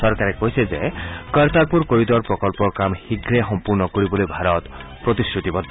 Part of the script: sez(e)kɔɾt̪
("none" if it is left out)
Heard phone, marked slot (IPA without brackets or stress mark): e